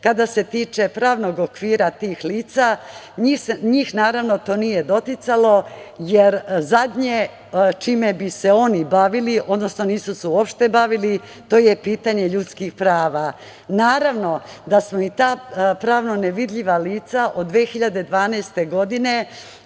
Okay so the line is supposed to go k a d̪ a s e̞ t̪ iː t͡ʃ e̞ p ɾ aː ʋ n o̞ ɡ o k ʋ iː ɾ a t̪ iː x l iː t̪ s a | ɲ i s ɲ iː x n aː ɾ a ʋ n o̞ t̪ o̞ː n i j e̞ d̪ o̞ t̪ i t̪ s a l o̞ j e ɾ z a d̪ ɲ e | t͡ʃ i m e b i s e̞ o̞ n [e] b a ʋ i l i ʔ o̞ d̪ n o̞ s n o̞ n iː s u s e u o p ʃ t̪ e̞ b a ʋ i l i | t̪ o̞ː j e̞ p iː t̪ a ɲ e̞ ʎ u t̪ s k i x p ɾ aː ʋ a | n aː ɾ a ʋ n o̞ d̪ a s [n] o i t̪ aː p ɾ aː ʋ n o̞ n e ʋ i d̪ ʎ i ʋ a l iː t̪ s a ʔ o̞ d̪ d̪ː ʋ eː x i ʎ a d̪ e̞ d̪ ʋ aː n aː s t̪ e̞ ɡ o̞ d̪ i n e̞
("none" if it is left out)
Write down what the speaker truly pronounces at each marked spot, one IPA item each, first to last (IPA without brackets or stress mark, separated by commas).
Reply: i, m